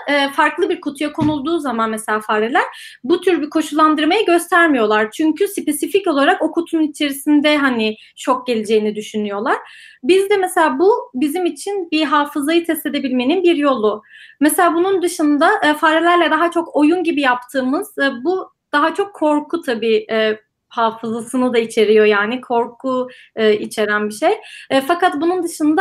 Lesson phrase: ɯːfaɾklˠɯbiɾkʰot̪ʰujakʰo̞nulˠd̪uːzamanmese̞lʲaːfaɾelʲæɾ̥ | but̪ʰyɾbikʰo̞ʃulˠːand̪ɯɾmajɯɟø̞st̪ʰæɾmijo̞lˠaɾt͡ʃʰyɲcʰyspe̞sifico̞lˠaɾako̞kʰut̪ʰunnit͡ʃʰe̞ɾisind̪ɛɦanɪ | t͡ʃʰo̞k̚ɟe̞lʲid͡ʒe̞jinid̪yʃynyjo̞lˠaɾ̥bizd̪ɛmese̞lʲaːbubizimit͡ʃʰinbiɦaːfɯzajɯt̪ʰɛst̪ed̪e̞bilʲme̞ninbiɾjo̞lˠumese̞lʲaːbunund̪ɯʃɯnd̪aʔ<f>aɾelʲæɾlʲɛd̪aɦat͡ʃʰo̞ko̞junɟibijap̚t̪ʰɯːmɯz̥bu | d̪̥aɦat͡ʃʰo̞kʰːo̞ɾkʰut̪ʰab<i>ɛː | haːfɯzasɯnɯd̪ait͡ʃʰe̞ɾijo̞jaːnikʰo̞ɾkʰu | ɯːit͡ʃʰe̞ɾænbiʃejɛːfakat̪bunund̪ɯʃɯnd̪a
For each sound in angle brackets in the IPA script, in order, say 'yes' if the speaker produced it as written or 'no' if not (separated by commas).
yes, no